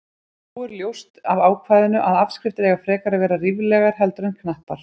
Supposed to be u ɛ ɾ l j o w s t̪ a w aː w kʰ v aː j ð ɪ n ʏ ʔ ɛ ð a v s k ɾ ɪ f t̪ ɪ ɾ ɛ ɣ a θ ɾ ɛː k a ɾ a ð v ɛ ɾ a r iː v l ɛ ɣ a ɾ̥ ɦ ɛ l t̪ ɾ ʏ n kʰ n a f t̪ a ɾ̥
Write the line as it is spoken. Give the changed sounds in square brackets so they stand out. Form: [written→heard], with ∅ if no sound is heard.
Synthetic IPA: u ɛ ɾ l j o w s t̪ a [w→v] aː w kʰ v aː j ð ɪ n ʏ ʔ [ɛ→a] ð a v s k ɾ ɪ f t̪ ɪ ɾ ɛ ɣ a [θ→f] ɾ ɛː k a ɾ a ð v [ɛ→ɛː] ɾ a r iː v l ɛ ɣ a ɾ̥ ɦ ɛ l t̪ ɾ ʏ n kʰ n a [f→h] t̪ a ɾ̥